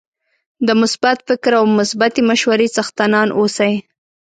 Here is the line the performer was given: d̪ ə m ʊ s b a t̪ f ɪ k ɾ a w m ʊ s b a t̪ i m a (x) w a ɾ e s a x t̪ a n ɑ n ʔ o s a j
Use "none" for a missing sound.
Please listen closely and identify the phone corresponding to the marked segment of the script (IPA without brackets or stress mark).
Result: ʃ